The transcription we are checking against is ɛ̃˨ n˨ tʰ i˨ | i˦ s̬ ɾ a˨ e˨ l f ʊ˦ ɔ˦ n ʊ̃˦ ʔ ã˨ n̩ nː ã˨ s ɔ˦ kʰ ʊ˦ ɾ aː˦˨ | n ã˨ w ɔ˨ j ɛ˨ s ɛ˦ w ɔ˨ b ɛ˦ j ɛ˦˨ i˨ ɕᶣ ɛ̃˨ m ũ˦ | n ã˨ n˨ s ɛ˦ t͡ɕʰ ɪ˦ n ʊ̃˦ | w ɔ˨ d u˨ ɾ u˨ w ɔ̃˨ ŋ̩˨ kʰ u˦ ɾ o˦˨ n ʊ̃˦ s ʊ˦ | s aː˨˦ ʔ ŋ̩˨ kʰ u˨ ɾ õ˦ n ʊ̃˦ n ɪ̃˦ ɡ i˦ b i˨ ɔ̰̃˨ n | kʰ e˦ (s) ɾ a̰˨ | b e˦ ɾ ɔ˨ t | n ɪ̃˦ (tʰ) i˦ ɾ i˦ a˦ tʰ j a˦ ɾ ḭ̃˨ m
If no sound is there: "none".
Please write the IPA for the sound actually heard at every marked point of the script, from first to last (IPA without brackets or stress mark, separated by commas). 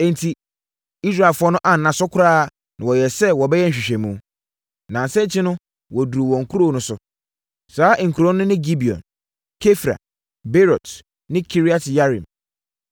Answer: f, kʰ